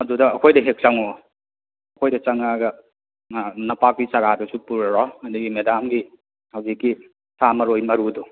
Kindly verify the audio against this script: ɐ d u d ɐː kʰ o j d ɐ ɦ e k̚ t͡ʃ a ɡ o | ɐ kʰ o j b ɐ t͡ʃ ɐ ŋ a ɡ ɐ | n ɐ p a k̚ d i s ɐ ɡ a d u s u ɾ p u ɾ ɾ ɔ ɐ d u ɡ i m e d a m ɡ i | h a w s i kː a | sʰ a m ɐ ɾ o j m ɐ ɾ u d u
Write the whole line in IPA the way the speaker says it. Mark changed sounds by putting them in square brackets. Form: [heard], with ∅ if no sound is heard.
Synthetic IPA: ɐ d u d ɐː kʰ o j d ɐ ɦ e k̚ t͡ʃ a [ŋ] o | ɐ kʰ o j [d] ɐ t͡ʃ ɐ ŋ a ɡ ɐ | n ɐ p a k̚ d i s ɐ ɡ a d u s u [∅] p u ɾ ɾ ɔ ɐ d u ɡ i m e d a m ɡ i | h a w [z] i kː [i] | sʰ a m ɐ ɾ o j m ɐ ɾ u d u